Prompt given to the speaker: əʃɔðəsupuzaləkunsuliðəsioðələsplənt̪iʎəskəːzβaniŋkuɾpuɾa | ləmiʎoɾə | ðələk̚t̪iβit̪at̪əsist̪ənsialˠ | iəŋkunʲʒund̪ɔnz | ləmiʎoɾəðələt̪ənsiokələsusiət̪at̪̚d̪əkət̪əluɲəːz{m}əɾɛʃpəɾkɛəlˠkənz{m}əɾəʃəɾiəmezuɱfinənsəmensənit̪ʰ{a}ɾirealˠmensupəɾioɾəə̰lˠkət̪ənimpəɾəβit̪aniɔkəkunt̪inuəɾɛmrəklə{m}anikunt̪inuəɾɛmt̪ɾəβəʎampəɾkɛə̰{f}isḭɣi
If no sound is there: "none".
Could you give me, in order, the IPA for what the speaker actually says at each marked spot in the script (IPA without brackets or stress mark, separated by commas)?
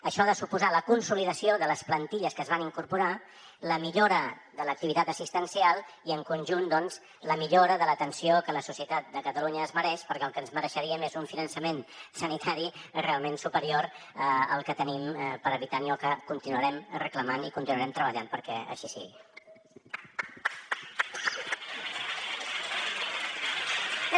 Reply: m, m, a, m, ʃ